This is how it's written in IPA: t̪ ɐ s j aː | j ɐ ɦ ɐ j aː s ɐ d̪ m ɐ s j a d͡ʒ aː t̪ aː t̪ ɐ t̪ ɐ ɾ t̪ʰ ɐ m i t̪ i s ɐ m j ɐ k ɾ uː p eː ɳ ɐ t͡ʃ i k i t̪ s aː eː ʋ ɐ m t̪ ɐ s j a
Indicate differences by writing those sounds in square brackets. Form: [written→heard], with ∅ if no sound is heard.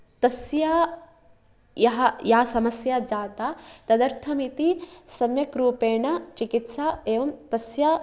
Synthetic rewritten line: t̪ ɐ s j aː | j ɐ ɦ ɐ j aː s ɐ [d̪→∅] m ɐ s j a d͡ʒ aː t̪ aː t̪ ɐ [t̪→d̪] ɐ ɾ t̪ʰ ɐ m i t̪ i s ɐ m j ɐ k ɾ uː p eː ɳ ɐ t͡ʃ i k i t̪ s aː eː ʋ ɐ m t̪ ɐ s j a